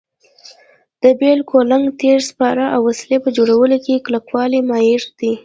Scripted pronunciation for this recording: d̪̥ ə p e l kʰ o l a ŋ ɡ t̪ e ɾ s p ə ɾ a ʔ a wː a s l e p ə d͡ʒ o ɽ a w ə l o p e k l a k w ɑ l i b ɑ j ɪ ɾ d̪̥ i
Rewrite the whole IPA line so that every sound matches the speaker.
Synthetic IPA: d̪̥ ə b e l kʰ o l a ŋ ɡ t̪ e ɾ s p ɑ ɾ a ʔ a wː a s l e p ə d͡ʒ o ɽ a w ə l o k e k l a k w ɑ l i m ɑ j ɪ ɾ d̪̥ i